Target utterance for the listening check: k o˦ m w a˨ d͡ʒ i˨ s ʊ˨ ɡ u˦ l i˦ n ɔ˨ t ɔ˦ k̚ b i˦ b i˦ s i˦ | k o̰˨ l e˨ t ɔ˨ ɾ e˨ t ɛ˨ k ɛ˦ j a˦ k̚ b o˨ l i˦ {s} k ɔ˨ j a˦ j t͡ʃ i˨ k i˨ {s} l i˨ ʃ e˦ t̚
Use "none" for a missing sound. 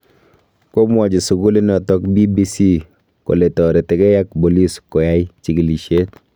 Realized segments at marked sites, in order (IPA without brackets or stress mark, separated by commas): s, none